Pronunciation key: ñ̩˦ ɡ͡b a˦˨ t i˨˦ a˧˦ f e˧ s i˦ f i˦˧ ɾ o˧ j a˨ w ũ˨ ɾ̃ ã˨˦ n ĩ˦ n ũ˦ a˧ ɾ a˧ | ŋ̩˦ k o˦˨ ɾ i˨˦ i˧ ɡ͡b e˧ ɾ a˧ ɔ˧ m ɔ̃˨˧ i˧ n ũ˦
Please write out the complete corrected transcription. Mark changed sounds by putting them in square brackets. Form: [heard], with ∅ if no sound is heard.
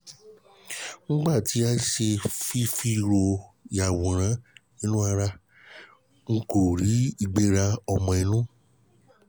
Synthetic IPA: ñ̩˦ ɡ͡b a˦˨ t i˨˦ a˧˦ [ʃ] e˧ [f] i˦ f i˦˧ ɾ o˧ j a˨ w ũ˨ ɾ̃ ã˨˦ n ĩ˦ n ũ˦ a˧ ɾ a˧ | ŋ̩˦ k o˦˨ ɾ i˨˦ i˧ ɡ͡b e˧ ɾ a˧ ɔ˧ m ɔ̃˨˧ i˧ n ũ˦